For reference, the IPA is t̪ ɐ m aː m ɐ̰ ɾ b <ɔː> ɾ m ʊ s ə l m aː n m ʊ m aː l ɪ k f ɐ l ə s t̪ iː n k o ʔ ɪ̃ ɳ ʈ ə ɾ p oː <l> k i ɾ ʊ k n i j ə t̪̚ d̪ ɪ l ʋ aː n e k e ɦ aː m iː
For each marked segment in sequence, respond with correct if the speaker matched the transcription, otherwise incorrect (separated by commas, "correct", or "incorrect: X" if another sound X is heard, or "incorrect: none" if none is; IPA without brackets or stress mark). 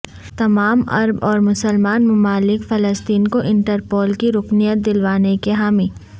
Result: correct, correct